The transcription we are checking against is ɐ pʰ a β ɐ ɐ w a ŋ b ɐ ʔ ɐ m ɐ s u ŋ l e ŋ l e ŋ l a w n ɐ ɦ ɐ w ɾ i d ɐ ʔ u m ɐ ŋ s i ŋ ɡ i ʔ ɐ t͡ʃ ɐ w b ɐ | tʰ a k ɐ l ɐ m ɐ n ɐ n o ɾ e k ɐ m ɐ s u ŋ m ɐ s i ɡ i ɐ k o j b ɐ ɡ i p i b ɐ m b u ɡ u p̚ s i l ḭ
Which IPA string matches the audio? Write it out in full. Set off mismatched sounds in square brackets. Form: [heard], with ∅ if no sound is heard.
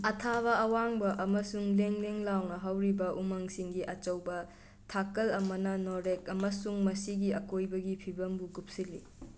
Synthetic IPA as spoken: ɐ [tʰ] a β ɐ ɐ w a ŋ b ɐ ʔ ɐ m ɐ s u ŋ l e ŋ l e ŋ l a w n ɐ ɦ ɐ w ɾ i [b] ɐ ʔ u m ɐ ŋ s i ŋ ɡ i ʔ ɐ t͡ʃ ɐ w b ɐ | tʰ a k ɐ l ɐ m ɐ n ɐ n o ɾ e k ɐ m ɐ s u ŋ m ɐ s i ɡ i ɐ k o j b ɐ ɡ i [pʰ] i b ɐ m b u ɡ u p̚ s i l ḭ